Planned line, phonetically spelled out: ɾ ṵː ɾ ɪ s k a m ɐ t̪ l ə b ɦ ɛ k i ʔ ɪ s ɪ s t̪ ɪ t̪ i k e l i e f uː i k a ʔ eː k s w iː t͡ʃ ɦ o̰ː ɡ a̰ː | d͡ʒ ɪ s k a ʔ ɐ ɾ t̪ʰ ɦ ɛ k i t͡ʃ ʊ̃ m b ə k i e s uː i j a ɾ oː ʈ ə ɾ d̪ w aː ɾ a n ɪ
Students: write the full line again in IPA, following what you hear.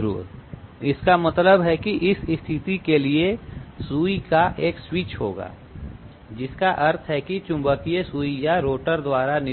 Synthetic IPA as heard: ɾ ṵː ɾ ɪ s k a m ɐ t̪ l ə b ɦ ɛ k i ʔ ɪ s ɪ s t̪ʰ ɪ t̪ i k e l i e s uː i k a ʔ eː k s w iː t͡ʃ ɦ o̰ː ɡ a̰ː | d͡ʒ ɪ s k a ʔ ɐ ɾ t̪ʰ ɦ ɛ k i t͡ʃ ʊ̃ m b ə k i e s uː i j a ɾ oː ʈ ə ɾ d̪ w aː ɾ a n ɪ